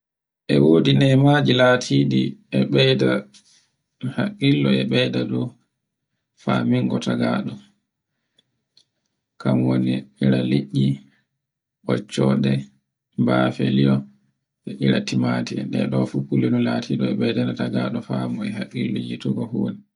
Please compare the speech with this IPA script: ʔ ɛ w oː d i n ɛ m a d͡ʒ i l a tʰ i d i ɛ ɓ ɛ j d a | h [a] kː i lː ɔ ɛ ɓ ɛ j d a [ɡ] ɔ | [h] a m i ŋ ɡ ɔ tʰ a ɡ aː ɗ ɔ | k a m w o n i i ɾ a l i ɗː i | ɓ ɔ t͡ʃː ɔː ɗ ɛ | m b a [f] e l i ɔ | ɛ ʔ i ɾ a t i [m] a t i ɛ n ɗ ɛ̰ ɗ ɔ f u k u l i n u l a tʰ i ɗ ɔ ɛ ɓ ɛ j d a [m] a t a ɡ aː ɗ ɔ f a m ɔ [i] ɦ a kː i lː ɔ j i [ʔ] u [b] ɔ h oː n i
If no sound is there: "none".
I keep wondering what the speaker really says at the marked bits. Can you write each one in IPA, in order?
a, d, f, f, m, n, ɛ, t, ɡ

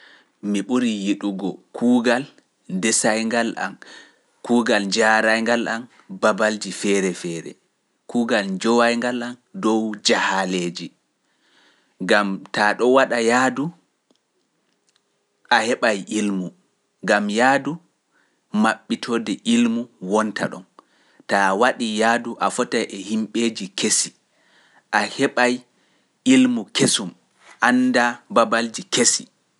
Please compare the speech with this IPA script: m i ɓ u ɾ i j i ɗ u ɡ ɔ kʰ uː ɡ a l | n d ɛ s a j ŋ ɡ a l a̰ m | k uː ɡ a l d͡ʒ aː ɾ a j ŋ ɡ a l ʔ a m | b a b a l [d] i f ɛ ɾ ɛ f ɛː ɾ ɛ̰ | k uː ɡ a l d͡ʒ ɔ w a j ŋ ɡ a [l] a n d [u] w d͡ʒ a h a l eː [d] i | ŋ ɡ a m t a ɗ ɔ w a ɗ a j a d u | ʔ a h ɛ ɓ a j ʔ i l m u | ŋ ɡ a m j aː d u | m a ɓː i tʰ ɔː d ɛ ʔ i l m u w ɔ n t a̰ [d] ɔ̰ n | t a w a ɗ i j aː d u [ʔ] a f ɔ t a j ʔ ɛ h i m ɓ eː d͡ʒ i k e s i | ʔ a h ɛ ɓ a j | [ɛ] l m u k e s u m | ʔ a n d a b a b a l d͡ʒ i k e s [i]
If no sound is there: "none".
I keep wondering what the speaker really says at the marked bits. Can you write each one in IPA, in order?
d͡ʒ, l, ɔ, d͡ʒ, ɗ, ʔ, i, i

